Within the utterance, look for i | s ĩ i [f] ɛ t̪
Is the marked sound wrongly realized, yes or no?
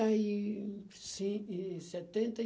yes